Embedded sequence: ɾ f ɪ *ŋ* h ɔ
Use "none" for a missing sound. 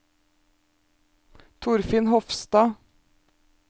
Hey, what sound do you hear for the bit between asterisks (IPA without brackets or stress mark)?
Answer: n